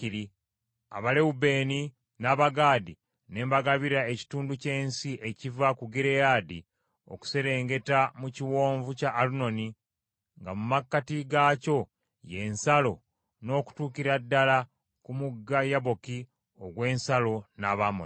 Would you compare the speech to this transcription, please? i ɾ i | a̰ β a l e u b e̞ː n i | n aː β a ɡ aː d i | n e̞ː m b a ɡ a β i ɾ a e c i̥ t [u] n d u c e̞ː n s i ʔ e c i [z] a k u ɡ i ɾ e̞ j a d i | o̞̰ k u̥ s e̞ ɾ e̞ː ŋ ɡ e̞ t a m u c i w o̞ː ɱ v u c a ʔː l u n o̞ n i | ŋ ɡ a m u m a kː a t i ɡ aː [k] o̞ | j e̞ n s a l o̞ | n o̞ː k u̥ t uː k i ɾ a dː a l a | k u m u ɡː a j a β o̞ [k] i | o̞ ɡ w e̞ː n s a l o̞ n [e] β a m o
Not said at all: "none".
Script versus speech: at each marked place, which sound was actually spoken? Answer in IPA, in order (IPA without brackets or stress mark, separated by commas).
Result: uː, v, c, k, a